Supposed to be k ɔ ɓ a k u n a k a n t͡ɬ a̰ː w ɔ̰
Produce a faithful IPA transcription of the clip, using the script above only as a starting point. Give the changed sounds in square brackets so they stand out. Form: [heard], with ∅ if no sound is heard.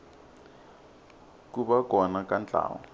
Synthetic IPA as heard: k [u] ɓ a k [ɔ] n a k a n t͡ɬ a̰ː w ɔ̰